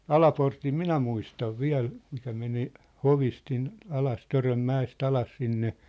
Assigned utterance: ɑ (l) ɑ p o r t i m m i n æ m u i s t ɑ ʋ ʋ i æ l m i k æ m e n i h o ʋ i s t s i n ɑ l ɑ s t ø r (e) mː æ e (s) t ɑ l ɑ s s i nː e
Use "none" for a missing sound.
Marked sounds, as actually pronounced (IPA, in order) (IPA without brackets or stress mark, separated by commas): l, ø, s